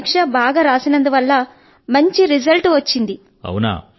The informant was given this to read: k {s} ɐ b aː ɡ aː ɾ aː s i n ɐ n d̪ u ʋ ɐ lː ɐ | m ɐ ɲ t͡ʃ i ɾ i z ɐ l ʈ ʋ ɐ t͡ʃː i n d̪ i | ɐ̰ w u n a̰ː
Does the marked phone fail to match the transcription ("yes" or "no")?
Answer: yes